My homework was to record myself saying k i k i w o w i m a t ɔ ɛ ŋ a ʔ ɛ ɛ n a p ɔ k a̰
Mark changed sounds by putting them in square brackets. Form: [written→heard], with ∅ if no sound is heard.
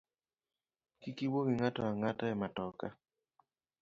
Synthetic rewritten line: k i k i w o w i [m→ŋ] a t ɔ [ɛ→a] ŋ a [ʔ→t] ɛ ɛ [n→m] a [p→t] ɔ k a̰